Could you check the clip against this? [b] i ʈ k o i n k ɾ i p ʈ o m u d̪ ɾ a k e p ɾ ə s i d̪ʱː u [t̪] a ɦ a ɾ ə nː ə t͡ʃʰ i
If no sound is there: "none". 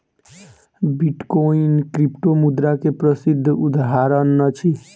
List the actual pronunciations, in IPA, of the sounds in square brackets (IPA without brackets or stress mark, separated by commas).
b, d̪